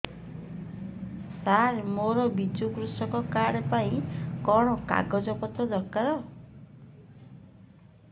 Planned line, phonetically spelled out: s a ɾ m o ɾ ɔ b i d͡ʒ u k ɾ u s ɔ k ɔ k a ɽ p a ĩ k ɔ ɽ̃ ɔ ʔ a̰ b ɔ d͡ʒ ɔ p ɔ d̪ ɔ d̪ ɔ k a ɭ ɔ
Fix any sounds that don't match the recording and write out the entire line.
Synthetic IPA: s a ɾ m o ɾ ɔ b i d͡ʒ u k ɾ u s ɔ k ɔ k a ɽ p a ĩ k ɔ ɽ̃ ɔ k a̰ ɡ ɔ d͡ʒ ɔ p ɔ t̪ ɔ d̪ ɔ k a ɾ ɔ